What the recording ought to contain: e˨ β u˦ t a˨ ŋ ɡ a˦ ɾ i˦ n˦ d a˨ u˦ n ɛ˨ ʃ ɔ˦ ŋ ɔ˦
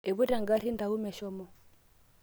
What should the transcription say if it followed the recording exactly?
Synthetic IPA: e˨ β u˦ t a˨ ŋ ɡ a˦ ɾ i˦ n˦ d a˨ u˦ m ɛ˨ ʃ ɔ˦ m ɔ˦